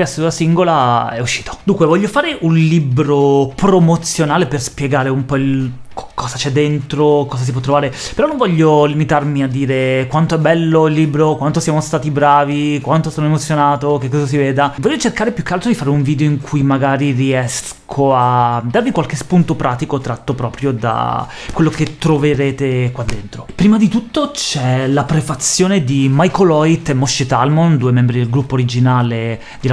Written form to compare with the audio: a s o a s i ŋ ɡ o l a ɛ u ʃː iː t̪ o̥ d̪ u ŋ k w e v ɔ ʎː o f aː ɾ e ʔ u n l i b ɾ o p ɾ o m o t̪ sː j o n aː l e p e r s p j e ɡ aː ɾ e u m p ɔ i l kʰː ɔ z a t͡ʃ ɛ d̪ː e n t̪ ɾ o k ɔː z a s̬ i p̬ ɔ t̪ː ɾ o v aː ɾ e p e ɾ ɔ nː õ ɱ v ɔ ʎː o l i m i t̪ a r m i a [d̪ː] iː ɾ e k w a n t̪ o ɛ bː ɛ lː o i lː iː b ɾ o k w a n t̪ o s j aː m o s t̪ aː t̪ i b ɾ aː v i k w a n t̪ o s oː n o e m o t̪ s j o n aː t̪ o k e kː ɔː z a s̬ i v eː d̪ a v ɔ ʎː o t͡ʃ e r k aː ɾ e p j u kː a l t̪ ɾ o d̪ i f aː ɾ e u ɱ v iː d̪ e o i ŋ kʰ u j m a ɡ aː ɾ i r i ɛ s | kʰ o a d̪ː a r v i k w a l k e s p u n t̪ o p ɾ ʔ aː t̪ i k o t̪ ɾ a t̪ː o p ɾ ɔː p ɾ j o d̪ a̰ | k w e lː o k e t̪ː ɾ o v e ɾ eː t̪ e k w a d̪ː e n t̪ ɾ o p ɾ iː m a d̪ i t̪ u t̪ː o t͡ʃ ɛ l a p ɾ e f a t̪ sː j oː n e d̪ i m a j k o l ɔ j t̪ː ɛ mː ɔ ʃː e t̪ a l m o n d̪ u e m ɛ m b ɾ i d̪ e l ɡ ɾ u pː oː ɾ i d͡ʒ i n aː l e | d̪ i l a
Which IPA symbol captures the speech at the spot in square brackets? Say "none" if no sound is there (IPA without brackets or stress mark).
d̪ː